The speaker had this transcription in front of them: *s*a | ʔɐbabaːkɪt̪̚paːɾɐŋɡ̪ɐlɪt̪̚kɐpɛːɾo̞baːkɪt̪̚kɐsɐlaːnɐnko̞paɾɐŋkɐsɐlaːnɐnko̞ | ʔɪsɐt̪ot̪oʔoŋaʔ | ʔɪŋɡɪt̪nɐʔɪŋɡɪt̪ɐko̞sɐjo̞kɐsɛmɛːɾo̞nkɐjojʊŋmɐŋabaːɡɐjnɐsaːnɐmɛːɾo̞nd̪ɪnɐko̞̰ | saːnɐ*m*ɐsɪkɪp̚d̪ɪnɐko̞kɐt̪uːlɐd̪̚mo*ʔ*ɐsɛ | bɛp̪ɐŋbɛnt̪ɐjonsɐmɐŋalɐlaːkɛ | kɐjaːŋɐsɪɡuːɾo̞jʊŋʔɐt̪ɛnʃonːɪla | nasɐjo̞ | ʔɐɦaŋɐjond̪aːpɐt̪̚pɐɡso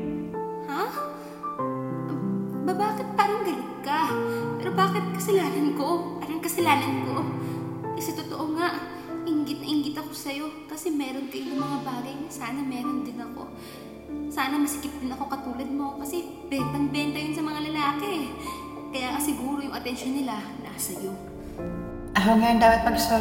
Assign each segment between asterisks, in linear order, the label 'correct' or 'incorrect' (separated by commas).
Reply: incorrect, correct, incorrect